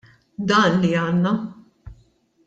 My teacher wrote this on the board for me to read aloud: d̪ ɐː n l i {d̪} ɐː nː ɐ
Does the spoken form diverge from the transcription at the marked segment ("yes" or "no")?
yes